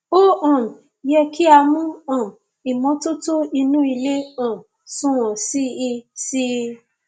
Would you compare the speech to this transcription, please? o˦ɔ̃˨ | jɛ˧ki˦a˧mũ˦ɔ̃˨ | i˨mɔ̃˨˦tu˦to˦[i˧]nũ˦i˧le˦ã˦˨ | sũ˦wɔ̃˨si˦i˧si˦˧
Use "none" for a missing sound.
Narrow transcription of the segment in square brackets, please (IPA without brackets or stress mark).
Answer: i˧